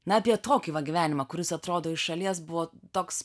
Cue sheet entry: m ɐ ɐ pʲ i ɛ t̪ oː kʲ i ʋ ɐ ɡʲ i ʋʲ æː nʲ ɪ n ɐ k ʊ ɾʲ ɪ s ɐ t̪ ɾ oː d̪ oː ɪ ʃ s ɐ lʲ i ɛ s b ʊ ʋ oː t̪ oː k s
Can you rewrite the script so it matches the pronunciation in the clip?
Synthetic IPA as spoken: n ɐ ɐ pʲ i ɛ t̪ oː kʲ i ʋ ɐ ɡʲ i ʋʲ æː nʲ ɪ m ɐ k ʊ ɾʲ ɪ s ɐ t̪ ɾ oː d̪ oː ɪ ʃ ʃ ɐ lʲ i ɛ s b ʊ ʋ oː t̪ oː k s